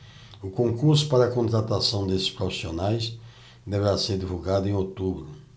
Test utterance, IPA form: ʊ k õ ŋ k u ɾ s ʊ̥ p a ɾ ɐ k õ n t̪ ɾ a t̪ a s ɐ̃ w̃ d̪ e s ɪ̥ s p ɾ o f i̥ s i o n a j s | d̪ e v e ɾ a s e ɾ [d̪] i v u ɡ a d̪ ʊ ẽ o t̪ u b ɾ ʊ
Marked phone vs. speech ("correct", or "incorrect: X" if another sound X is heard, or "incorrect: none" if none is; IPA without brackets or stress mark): correct